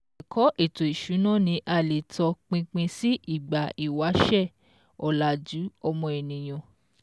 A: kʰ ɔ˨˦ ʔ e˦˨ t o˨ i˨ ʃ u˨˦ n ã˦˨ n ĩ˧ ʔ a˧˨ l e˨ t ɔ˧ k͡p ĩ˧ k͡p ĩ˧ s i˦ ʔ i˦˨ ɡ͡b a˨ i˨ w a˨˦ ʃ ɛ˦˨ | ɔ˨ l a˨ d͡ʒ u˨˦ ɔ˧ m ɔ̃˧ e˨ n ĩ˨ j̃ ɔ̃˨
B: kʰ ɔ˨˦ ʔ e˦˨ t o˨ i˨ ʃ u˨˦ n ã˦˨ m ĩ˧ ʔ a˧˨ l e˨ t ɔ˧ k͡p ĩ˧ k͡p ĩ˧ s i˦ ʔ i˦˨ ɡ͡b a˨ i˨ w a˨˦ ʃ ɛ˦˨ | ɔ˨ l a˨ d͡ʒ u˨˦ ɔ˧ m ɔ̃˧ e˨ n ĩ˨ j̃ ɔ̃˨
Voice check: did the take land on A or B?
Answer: A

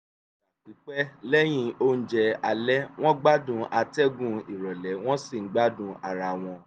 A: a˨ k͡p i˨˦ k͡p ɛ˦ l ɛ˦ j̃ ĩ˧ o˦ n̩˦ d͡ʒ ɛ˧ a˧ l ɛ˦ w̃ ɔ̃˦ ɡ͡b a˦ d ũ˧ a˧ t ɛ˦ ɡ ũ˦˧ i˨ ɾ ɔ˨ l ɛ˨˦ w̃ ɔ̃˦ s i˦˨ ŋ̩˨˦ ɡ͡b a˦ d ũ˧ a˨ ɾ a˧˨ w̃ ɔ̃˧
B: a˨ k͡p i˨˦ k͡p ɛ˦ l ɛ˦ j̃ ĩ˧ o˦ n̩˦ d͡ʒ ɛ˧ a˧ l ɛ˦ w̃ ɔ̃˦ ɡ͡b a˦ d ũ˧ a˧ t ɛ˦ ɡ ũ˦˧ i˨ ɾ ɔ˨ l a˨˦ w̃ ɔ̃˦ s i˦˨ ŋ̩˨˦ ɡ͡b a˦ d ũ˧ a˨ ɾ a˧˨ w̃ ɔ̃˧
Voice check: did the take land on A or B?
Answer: A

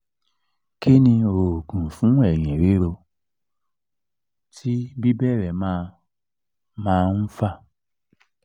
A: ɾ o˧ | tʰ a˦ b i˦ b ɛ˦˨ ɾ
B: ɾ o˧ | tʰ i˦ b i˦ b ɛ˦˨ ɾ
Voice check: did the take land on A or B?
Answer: B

